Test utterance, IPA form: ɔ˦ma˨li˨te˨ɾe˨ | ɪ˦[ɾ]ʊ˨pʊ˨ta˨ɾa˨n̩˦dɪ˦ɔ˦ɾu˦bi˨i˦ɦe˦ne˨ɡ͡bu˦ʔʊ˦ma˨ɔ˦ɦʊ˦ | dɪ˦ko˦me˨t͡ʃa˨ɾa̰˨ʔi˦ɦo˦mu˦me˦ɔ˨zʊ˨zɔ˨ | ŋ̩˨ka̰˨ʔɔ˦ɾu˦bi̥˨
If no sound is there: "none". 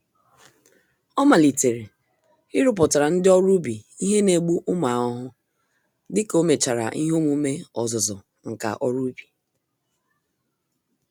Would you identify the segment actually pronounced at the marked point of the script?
ɾ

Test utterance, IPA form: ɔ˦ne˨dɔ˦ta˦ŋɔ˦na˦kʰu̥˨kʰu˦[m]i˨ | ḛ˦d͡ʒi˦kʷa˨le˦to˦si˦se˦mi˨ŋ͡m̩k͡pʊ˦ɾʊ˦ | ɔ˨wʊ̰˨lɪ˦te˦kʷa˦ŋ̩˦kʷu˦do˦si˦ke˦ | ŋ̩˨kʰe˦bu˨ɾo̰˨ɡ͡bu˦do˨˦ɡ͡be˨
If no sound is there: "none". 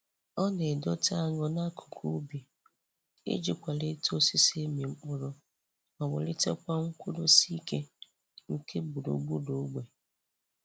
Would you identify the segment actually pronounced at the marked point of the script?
b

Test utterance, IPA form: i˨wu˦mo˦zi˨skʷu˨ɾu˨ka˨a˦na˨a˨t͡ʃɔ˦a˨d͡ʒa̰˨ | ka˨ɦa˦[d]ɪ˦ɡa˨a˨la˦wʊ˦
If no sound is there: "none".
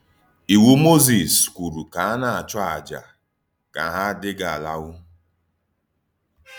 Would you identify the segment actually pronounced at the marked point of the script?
d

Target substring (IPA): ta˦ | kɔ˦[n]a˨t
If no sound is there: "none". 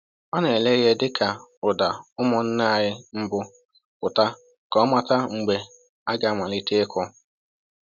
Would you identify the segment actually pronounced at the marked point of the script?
m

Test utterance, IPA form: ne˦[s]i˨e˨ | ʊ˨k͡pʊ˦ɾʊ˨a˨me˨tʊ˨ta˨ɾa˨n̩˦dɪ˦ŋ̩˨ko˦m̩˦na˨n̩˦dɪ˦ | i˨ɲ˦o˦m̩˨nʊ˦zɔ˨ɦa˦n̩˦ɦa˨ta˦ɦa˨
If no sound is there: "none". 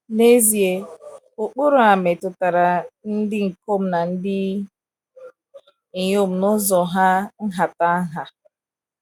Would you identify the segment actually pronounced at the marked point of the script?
z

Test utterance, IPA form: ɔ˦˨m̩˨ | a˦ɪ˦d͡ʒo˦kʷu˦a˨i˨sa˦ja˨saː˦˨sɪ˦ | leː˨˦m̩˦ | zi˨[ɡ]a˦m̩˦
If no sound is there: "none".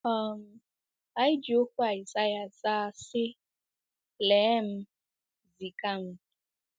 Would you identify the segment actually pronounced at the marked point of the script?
k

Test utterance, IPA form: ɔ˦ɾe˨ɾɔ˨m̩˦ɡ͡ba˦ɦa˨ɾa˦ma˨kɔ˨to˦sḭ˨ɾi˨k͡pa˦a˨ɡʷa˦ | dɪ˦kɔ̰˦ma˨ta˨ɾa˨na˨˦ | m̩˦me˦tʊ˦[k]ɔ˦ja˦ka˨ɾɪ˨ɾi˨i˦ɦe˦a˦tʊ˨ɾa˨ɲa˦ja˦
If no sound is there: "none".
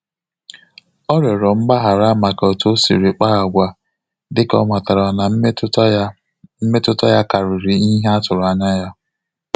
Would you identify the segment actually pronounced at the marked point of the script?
t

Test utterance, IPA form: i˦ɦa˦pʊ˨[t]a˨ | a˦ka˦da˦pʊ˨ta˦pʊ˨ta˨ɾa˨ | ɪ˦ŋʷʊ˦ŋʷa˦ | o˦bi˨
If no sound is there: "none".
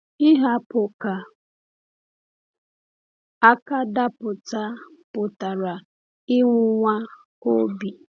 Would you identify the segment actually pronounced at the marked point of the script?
k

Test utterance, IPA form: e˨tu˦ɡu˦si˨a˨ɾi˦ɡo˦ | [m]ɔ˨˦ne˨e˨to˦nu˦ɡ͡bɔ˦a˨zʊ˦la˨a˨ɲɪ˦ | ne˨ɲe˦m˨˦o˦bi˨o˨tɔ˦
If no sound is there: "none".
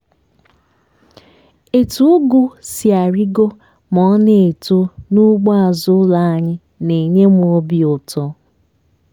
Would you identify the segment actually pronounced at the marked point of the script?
m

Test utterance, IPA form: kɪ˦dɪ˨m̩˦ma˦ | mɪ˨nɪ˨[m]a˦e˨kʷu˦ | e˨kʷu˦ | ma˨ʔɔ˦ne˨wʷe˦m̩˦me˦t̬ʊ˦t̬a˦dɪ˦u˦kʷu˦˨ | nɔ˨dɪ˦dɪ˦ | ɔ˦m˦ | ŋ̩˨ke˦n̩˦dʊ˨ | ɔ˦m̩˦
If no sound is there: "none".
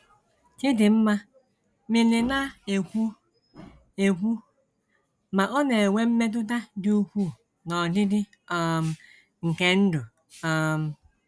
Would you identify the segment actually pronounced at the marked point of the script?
n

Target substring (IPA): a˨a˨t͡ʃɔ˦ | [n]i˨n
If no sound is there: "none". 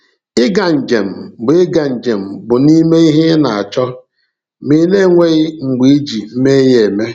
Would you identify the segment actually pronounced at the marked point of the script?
m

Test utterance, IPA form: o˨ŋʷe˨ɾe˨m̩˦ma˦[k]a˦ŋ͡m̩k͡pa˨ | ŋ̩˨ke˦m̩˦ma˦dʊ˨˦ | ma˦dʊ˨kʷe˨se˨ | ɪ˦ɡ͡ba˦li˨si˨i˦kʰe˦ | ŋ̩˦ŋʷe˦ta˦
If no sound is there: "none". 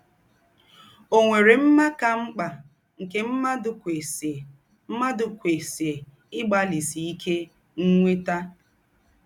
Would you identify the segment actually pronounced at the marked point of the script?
k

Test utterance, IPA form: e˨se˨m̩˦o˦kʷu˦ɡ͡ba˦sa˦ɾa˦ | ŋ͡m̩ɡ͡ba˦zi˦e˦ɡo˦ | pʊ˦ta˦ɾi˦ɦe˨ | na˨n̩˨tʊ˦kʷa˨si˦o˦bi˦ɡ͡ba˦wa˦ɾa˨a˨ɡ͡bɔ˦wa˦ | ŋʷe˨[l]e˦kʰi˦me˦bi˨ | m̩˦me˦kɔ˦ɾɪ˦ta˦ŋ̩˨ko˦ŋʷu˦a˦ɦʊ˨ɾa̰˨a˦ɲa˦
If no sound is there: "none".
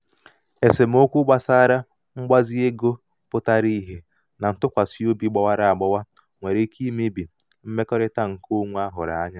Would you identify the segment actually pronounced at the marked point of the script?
ɾ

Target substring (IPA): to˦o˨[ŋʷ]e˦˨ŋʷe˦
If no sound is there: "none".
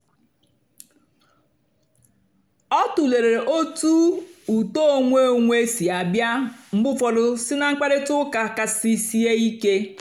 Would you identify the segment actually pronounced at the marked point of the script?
ŋʷ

